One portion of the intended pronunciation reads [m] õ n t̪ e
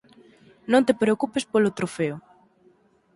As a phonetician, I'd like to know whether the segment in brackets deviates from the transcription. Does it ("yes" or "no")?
yes